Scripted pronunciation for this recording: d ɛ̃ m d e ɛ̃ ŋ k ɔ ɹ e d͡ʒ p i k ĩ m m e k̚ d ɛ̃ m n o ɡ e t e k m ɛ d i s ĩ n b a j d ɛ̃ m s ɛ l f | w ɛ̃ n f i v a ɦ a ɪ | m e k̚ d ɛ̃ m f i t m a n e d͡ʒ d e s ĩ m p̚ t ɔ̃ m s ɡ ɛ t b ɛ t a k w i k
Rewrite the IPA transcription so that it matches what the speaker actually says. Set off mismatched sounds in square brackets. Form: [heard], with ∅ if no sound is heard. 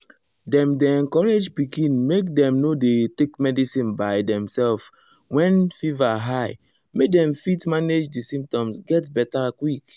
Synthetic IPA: d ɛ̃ m d e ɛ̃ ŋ k ɔ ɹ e d͡ʒ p i k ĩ [n] m e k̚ d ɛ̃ m n o [d] e t e k m ɛ d i s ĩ n b a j d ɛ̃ m s ɛ l f | w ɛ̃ n f i v a ɦ a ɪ | m e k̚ d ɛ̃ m f i t m a n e d͡ʒ d [i] s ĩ m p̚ t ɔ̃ m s ɡ ɛ t b ɛ t a k w i k